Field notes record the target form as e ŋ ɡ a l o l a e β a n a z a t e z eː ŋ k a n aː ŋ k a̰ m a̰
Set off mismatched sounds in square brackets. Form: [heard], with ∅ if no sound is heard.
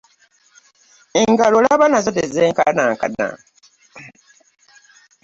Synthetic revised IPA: e ŋ ɡ a l o l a [a] β a n a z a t e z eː ŋ k a n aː ŋ k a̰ [n] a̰